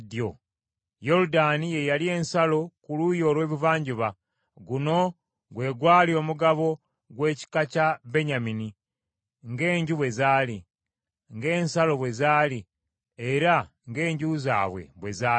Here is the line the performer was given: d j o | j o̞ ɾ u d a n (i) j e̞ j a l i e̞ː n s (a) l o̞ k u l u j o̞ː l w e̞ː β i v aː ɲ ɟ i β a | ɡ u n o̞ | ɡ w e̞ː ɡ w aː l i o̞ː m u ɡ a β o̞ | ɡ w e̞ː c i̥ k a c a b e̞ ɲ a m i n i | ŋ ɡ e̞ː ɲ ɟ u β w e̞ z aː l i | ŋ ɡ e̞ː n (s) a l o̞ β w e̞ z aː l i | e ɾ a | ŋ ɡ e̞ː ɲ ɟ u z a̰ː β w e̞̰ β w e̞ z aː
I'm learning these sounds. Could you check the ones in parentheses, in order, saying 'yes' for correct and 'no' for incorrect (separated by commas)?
yes, yes, yes